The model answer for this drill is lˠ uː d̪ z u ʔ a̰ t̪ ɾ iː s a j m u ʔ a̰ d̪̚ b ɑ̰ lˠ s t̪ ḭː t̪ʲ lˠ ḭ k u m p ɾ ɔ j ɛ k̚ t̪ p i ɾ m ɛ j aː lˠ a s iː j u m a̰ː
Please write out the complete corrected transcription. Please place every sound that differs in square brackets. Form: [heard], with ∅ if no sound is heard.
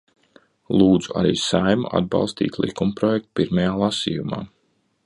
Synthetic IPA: lˠ uː d̪ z u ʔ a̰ [∅] ɾ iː s a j m u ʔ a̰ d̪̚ b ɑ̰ lˠ s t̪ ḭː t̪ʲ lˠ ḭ k u m p ɾ ɔ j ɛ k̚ t̪ p i ɾ m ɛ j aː lˠ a s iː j u m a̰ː